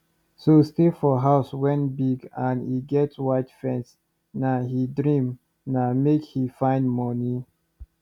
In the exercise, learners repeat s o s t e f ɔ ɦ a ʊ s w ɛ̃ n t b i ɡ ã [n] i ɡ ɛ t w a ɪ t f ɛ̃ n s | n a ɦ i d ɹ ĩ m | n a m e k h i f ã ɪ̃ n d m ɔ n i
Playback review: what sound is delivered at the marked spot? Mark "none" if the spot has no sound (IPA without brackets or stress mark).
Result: n